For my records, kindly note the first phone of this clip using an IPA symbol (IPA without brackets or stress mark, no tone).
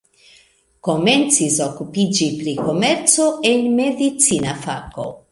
k